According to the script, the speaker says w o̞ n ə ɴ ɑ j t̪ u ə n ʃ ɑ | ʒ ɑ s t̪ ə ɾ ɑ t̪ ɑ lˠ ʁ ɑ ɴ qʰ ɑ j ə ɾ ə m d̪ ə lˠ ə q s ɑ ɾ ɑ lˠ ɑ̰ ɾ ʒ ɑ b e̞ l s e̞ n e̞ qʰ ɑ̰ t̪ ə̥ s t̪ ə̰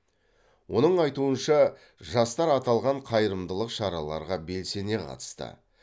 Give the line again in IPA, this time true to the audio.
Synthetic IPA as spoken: w o̞ n ə ɴ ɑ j t̪ u ə n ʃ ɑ | ʒ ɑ s t̪ ɑ ɾ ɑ t̪ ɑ lˠ ʁ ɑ ɴ qʰ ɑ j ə ɾ ə m d̪ ə lˠ ə q ʃ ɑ ɾ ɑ lˠ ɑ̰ ɾ ʁ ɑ b e̞ l s e̞ n e̞ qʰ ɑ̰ t̪ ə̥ s t̪ ə̰